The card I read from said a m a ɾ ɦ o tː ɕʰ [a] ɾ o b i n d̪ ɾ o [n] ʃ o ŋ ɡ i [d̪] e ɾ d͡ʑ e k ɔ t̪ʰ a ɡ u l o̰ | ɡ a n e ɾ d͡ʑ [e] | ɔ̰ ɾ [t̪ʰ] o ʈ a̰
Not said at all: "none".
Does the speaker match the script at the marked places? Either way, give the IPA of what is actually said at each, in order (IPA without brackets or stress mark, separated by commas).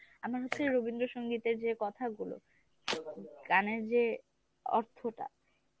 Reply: e, none, t̪, e, t̪ʰ